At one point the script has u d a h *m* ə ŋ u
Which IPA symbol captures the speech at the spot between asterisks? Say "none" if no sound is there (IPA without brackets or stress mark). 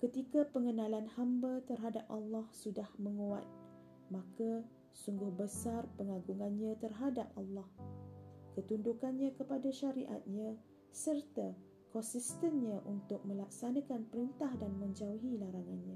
m